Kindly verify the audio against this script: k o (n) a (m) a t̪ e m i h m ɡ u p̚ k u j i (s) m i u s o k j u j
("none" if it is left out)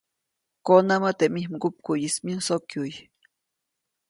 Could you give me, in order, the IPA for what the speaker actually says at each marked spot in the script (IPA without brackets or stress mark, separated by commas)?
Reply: n, m, s